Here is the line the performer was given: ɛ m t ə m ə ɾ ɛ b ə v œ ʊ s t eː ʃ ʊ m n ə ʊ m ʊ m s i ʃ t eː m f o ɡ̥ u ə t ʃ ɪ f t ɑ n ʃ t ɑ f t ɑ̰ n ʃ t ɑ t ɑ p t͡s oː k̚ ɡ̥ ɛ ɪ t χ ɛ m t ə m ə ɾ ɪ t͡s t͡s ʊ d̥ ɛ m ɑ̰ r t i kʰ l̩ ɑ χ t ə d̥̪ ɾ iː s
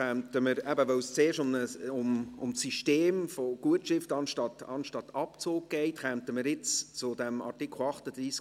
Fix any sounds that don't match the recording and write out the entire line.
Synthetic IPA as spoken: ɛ m t ə m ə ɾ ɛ b ə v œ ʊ s t͡s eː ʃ ʊ m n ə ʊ m ʊ m s i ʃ t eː m f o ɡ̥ u ə t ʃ ɪ f t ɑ n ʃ t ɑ t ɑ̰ n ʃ t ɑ t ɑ p t͡s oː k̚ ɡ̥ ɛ ɪ t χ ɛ m t ə m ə ɾ ɪ t͡s t͡s ʊ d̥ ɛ m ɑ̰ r t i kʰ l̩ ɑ χ t ə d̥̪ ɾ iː s